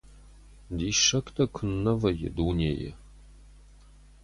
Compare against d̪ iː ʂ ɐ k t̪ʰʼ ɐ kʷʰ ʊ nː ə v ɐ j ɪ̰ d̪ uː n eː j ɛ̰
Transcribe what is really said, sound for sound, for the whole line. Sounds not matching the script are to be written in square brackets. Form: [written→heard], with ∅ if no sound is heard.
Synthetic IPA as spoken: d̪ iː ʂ ɐ k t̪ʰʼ ɐ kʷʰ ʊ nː [ə→ɐ] v ɐ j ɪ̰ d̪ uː n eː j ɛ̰